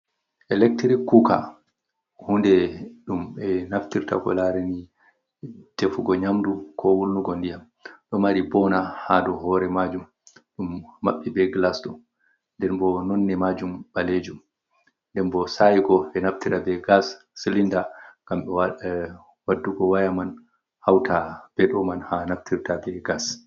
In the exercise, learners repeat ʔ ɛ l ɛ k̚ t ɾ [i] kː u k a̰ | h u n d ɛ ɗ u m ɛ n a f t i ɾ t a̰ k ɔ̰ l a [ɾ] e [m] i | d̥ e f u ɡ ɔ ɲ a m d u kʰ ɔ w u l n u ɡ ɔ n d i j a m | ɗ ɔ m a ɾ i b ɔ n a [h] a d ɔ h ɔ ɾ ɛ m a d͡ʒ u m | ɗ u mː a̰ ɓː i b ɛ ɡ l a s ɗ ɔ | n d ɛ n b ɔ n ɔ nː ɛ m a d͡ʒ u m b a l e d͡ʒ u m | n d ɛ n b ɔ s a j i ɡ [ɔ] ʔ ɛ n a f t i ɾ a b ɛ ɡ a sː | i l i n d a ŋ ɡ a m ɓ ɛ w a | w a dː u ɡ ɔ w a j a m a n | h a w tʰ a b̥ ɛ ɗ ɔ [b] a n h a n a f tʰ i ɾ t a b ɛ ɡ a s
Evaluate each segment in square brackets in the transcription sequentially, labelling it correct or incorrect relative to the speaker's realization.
correct, correct, incorrect, correct, correct, incorrect

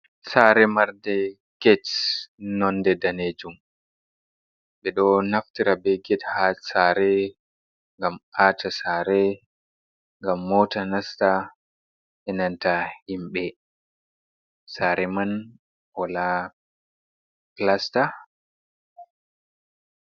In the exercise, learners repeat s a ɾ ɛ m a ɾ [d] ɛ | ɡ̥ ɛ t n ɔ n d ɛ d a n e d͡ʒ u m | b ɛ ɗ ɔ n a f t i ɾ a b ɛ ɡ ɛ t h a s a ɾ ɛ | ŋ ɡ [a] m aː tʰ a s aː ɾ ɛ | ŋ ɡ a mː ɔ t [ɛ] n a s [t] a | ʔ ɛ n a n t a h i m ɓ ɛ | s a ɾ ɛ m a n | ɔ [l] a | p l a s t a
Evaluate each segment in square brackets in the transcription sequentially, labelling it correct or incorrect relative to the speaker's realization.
correct, correct, incorrect, correct, correct

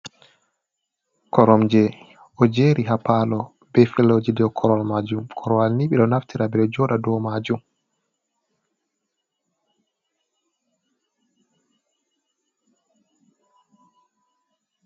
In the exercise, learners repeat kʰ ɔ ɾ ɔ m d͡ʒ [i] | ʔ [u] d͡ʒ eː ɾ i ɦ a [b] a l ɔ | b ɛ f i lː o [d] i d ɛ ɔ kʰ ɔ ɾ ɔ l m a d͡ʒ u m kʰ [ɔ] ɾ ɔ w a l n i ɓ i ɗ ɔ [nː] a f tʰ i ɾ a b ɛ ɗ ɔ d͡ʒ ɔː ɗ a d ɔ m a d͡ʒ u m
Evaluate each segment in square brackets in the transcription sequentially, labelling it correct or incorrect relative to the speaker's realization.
incorrect, incorrect, incorrect, incorrect, correct, incorrect

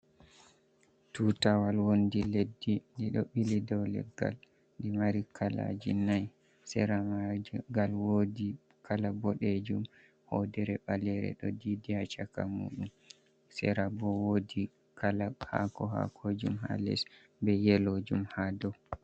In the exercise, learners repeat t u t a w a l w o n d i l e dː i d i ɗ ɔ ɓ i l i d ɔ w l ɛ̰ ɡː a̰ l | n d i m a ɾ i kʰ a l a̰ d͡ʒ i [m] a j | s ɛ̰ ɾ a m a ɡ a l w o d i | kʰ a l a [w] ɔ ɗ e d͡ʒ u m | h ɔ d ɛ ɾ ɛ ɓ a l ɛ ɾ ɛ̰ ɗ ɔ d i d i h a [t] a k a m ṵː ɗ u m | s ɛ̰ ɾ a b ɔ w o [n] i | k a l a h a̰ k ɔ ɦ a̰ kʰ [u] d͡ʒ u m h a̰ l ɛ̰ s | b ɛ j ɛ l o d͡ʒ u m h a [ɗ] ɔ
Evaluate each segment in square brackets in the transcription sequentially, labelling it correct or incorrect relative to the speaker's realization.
incorrect, incorrect, incorrect, incorrect, incorrect, incorrect

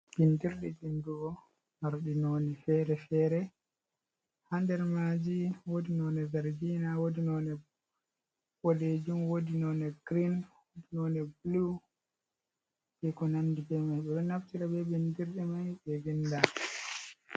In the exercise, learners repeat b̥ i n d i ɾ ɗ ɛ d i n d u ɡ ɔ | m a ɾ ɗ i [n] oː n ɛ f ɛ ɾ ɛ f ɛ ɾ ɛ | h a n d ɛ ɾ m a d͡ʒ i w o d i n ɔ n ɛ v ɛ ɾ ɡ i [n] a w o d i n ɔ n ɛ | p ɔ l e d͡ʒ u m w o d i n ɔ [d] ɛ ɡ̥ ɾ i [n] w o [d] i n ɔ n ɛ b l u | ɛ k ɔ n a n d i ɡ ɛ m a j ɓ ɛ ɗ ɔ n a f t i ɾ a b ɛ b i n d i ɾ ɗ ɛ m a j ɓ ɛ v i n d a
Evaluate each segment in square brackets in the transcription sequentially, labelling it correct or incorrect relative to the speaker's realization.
correct, correct, incorrect, correct, correct

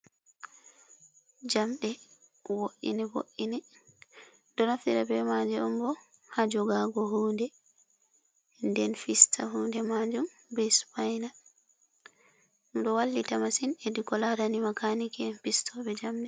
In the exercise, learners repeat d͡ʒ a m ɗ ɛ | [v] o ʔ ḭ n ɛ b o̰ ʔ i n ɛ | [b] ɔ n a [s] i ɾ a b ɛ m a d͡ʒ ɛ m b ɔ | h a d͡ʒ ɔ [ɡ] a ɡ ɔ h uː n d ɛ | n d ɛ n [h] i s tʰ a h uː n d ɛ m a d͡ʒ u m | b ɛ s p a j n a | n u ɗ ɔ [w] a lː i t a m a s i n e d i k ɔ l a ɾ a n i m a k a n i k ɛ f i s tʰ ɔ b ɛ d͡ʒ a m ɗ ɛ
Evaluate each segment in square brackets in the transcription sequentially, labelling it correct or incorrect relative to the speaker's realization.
incorrect, incorrect, incorrect, correct, incorrect, correct

